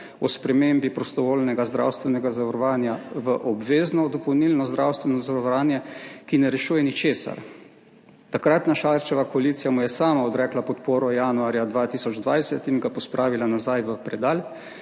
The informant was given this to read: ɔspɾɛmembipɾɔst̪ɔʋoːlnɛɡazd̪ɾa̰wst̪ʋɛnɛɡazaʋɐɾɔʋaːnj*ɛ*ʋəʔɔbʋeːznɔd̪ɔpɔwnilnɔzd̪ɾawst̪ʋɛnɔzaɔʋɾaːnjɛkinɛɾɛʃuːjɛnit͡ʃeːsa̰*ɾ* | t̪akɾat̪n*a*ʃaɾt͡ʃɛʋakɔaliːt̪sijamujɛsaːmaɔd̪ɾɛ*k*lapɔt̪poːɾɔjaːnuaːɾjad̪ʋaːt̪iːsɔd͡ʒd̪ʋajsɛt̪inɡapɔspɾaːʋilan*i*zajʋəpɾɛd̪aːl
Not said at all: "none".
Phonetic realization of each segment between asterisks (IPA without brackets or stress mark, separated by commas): a, ɾ, a, k, a